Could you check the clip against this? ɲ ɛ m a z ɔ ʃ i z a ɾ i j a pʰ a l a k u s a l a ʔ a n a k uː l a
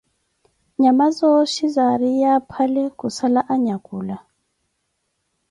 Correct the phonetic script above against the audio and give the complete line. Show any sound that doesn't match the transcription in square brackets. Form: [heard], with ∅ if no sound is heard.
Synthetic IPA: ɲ [a] m a z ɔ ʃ i z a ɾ i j a pʰ a l [ɛ] k u s a l a ʔ a [ɲ] a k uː l a